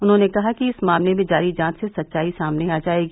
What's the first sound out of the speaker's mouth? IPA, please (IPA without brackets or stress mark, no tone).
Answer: ʊ